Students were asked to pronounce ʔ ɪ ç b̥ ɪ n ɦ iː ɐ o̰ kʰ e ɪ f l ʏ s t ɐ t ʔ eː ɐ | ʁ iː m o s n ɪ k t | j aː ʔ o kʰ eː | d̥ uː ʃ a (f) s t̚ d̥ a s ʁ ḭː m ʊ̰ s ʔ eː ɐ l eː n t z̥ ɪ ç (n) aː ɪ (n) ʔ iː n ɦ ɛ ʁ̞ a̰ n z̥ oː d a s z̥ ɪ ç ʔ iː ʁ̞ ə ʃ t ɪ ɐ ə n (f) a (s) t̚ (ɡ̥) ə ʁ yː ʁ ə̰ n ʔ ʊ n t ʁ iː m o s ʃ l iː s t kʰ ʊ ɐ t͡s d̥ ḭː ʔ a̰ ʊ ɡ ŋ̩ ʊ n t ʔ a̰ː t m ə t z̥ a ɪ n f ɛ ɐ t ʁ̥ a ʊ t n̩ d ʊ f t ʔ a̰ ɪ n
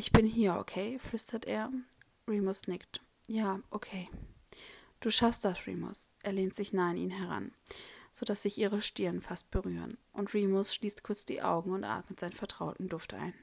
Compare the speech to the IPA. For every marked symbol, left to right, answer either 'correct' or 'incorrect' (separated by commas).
correct, correct, correct, correct, correct, incorrect